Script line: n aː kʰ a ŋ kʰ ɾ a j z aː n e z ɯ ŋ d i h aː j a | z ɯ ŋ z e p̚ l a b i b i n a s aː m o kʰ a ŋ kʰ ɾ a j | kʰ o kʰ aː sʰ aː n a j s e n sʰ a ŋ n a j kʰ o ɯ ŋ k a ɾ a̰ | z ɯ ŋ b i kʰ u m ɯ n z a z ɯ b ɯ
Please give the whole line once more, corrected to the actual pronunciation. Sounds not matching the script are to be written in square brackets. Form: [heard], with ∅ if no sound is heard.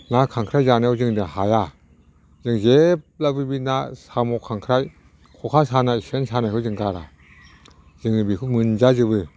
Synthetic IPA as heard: n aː kʰ a ŋ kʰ ɾ a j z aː n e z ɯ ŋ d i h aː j a | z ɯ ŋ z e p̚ l a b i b i n a s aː m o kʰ a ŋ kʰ ɾ a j | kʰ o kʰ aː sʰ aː n a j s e n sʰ a [∅] n a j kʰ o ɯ ŋ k a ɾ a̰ | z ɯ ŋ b i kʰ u m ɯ n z a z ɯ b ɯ